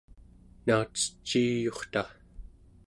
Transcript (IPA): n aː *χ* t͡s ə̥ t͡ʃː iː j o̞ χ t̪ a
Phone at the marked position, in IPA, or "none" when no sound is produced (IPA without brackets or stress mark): none